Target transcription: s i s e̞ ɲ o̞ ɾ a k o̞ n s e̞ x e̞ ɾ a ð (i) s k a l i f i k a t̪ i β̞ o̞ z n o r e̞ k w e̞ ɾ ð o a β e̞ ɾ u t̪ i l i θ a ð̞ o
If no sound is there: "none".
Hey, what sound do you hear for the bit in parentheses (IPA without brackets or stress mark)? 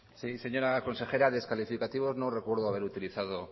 e